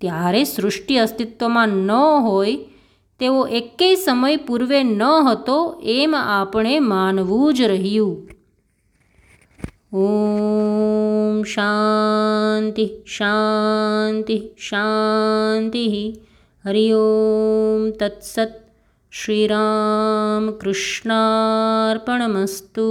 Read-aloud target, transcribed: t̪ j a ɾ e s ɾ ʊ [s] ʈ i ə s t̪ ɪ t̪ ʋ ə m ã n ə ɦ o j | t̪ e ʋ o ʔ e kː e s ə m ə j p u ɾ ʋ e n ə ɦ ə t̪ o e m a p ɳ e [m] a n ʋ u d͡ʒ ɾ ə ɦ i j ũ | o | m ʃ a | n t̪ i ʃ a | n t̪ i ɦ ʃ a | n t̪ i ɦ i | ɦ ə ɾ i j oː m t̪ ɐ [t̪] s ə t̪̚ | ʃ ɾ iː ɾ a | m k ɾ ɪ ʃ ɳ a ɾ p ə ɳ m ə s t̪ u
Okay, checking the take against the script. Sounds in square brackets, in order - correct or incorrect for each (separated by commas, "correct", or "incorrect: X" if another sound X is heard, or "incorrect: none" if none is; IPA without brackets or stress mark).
incorrect: ʂ, correct, correct